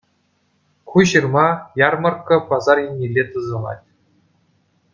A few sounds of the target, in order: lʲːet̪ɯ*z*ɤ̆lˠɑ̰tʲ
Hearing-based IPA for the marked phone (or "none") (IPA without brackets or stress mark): z